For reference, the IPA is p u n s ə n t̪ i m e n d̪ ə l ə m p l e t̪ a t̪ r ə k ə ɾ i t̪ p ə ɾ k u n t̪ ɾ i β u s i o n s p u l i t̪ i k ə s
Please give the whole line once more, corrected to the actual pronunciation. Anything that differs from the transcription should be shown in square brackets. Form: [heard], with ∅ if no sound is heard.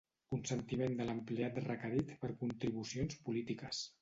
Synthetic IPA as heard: [k] u n s ə n t̪ i m e n d̪ ə l ə m p l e [∅] a t̪ r ə k ə ɾ i t̪ p ə ɾ k u n t̪ ɾ i β u s i o n s p u l i t̪ i k ə s